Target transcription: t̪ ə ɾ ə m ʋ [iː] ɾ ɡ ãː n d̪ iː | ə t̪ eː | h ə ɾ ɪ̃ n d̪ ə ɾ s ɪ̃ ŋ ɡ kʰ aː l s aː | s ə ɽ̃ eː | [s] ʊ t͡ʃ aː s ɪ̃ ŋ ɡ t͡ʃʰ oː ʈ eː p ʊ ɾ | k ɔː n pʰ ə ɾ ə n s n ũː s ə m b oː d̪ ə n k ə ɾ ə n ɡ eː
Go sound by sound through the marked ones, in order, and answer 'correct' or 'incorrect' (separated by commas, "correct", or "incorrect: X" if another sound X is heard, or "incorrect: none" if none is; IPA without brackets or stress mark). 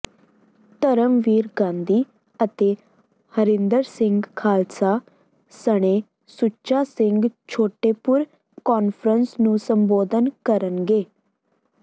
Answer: correct, correct